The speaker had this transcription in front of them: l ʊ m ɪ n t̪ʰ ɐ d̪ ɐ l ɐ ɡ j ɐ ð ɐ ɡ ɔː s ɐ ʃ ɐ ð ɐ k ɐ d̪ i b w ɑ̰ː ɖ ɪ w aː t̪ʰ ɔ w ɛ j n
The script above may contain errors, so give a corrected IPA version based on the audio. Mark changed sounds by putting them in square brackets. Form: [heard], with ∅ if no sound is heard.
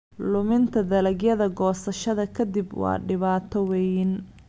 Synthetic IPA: l ʊ m ɪ n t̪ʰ ɐ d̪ ɐ l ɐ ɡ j ɐ ð ɐ ɡ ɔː s ɐ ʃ ɐ ð ɐ [kʰ] ɐ d̪ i b w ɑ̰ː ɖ ɪ [β] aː t̪ʰ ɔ w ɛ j n